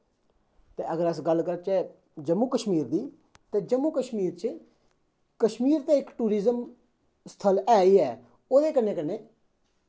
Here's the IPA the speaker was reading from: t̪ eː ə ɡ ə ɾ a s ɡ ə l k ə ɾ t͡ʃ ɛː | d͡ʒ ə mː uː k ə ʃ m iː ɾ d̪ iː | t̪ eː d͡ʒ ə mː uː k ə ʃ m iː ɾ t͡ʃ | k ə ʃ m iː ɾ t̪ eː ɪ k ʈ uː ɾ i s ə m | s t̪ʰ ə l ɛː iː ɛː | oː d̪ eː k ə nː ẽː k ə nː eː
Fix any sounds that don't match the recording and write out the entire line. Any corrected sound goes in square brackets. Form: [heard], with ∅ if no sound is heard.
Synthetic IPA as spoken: t̪ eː ə ɡ ə ɾ [ə] s ɡ ə l k ə ɾ t͡ʃ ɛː | d͡ʒ ə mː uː k ə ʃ m iː ɾ d̪ iː | t̪ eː d͡ʒ ə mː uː k ə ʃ m iː ɾ t͡ʃ | k ə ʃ m iː ɾ t̪ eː ɪ k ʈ uː ɾ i [z] ə m | s t̪ʰ ə l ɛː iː ɛː | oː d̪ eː k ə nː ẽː k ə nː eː